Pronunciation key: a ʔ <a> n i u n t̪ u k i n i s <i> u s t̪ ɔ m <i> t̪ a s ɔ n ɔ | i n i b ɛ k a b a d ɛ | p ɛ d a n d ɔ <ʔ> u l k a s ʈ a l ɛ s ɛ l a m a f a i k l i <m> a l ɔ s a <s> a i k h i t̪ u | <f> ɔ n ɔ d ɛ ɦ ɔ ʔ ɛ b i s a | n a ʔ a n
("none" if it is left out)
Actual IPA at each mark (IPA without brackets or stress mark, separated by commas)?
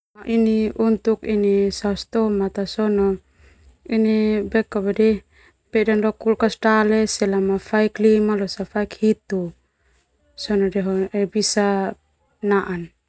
i, a, a, k, m, f, s